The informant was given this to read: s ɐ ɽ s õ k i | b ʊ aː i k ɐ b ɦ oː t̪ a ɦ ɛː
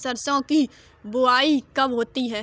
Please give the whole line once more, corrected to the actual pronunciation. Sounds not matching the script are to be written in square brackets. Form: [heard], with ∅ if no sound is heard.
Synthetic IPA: s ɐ [ɾ] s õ k i | b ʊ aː i k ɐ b ɦ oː t̪ [i] ɦ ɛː